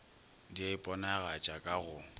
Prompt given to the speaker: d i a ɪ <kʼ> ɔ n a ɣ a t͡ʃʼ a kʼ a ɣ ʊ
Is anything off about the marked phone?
yes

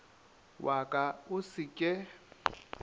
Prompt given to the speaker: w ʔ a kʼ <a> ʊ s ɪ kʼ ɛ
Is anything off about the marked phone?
no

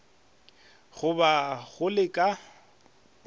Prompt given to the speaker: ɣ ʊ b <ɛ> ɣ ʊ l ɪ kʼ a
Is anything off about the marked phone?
yes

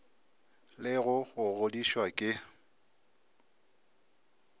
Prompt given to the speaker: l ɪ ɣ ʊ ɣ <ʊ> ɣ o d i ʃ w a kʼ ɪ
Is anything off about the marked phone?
no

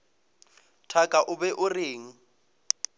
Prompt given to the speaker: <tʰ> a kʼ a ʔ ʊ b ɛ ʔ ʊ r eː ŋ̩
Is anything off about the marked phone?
no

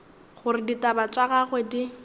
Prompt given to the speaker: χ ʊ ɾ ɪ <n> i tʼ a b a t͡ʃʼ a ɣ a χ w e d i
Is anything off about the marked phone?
yes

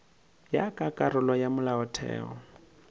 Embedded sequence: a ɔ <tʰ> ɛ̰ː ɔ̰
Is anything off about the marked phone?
no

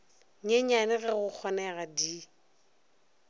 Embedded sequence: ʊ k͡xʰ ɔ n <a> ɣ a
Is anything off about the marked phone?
yes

